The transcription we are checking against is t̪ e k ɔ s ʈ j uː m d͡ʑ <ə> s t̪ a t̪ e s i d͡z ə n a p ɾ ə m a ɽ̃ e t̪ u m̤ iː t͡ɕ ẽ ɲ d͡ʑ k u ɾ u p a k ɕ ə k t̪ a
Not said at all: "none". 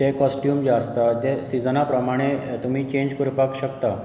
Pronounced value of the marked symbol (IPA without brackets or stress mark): a